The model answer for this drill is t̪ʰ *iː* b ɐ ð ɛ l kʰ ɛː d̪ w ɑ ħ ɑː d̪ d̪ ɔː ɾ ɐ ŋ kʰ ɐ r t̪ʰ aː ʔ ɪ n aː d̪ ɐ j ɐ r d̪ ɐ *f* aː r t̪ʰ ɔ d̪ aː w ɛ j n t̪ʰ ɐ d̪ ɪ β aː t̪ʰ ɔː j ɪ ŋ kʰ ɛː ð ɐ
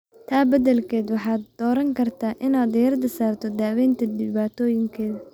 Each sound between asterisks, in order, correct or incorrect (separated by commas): incorrect, incorrect